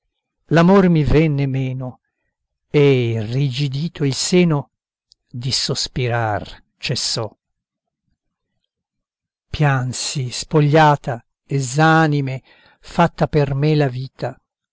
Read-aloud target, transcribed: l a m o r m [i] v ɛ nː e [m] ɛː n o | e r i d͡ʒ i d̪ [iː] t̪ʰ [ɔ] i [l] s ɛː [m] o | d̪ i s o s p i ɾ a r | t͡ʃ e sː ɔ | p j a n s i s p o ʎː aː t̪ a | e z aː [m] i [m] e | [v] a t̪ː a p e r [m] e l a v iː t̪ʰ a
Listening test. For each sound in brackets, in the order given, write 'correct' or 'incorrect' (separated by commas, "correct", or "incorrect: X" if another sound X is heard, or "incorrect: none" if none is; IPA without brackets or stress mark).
correct, correct, correct, incorrect: o, correct, incorrect: n, incorrect: n, correct, incorrect: f, correct